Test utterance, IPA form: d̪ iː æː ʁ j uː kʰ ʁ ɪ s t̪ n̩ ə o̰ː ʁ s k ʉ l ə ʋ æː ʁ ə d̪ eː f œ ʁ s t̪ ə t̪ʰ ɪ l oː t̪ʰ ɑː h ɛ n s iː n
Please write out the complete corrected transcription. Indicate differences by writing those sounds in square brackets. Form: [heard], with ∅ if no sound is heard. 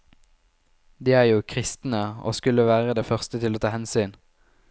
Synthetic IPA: d̪ iː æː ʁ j uː kʰ ʁ ɪ s t̪ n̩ ə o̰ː [∅] s k ʉ l ə ʋ æː ʁ ə d̪ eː f œ ʁ s t̪ ə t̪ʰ ɪ l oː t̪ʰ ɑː h ɛ n s [yː] n